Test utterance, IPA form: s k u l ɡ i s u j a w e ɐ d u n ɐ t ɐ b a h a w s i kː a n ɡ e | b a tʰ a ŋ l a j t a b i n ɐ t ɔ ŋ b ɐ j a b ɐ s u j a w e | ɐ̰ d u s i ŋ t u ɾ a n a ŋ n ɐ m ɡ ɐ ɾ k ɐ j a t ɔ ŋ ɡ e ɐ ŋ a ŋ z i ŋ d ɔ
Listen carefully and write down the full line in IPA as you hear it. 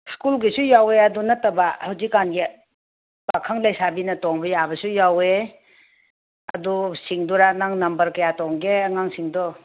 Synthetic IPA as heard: s k u l ɡ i s u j a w e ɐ d u n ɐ t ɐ b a h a w z i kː a n ɡ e | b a kʰ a ŋ l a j s a b i n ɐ t ɔ ŋ b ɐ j a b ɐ s u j a w e | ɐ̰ d u s i ŋ d u ɾ a n a ŋ n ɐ m b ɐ ɾ k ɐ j a t ɔ ŋ ɡ e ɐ ŋ a ŋ s i ŋ d ɔ